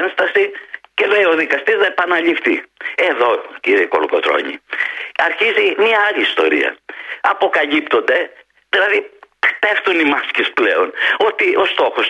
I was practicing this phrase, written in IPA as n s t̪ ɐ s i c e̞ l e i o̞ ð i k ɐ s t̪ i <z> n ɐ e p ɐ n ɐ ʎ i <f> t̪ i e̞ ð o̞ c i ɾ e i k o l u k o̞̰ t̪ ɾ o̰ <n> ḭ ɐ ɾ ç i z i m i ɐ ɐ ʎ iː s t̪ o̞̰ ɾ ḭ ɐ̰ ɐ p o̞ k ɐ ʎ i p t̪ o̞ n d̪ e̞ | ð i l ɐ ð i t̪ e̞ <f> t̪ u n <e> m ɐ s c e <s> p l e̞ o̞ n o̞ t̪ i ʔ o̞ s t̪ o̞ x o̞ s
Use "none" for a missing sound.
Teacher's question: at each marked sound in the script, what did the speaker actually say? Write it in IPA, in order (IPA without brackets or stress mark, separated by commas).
z, f, ɲ, f, i, s